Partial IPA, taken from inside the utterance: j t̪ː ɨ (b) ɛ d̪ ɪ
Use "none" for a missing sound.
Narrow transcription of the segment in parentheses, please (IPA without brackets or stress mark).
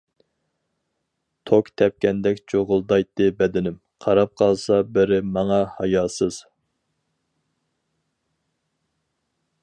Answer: b